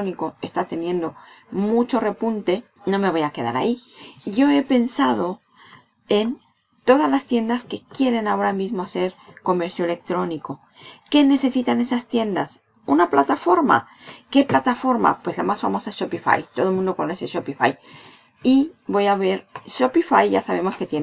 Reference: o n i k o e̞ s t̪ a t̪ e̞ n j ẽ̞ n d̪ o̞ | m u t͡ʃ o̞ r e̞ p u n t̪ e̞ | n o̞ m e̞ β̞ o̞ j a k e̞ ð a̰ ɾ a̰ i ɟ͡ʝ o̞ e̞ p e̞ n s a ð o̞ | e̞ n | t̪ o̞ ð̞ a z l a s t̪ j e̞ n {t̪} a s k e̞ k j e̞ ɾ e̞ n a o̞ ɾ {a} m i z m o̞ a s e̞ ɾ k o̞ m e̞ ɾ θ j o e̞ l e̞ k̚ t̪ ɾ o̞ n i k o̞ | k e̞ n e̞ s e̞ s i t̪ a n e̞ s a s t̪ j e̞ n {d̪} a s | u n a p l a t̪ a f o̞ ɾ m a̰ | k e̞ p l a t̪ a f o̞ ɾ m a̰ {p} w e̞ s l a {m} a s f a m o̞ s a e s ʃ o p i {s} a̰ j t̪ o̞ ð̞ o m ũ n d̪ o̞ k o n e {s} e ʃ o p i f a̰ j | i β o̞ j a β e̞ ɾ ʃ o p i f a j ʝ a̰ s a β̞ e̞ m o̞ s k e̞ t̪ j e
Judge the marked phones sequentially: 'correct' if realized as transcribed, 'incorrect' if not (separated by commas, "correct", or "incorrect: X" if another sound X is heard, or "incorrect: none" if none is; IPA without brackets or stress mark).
incorrect: d̪, correct, correct, correct, correct, incorrect: f, correct